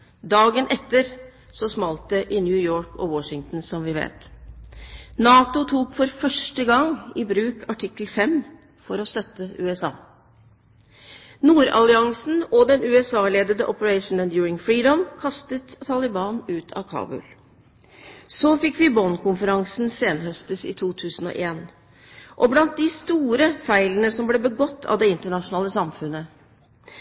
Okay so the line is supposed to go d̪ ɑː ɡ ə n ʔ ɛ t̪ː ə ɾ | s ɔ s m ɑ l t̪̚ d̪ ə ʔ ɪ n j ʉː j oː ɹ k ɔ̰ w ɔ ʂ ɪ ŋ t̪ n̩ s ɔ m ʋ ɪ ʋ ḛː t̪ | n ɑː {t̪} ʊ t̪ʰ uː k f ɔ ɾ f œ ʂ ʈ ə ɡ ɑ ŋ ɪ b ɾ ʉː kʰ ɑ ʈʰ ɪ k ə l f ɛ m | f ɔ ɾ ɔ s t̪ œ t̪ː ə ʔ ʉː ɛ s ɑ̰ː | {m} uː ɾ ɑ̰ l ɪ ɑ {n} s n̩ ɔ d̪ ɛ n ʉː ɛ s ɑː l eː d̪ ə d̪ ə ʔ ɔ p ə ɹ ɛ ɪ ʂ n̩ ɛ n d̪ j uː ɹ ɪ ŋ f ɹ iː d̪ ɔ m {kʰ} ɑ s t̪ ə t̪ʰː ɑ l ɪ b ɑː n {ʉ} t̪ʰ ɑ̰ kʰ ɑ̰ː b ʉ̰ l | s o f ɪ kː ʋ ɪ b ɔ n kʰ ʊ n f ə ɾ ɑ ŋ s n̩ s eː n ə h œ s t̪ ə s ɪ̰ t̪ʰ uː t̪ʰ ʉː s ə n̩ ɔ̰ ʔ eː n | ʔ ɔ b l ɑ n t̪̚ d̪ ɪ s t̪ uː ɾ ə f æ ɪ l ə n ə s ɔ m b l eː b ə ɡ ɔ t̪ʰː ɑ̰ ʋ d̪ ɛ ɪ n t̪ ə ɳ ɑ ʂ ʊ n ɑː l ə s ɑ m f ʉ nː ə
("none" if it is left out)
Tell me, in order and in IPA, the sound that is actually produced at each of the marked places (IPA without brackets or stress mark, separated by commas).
t̪, n, ŋ, kʰ, ʉː